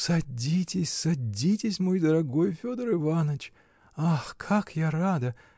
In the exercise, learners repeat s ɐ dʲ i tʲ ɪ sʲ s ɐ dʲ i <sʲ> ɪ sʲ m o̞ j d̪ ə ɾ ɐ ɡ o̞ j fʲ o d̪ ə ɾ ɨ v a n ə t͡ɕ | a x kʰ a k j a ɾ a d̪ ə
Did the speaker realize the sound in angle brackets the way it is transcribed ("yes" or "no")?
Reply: no